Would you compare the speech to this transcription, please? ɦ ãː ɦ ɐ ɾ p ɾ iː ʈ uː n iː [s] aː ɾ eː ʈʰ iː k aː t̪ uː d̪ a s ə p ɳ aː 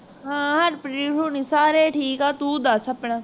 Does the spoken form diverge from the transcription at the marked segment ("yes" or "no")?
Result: no